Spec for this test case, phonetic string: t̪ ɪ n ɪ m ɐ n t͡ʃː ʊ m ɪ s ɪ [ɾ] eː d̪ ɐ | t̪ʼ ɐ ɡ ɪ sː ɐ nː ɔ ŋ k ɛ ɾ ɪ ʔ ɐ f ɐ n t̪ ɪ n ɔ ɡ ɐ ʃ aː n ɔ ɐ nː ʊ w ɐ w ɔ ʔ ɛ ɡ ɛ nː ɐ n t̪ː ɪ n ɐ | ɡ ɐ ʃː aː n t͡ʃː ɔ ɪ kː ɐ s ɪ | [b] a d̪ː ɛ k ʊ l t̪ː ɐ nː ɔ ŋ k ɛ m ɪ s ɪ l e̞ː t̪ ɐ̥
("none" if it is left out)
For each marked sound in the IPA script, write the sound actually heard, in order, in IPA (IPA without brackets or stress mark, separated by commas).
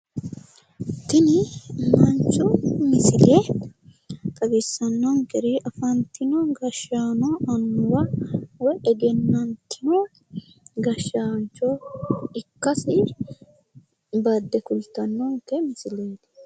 l, b